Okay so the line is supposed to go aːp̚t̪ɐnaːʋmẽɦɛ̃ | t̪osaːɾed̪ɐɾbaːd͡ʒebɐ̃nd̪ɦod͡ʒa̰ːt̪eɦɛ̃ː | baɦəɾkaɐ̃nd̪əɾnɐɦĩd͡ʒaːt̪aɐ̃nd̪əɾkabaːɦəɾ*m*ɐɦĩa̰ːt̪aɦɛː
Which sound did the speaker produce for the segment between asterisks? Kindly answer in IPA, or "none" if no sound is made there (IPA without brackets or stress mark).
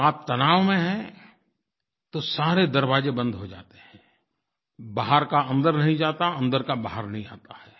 n